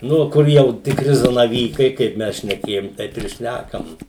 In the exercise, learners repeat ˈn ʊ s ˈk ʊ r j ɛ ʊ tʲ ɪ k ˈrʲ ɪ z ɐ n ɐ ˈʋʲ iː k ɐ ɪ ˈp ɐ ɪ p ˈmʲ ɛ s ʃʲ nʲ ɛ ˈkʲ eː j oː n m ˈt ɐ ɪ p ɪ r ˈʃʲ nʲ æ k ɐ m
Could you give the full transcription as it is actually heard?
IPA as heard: ˈn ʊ ˈk ʊ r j ɛ ʊ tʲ ɪ k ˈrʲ ɪ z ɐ n ɐ ˈʋʲ iː k ɐ ɪ ˈk ɐ ɪ p ˈmʲ ɛ s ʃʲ nʲ ɛ ˈkʲ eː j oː m ˈt ɐ ɪ p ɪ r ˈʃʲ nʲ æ k ɐ m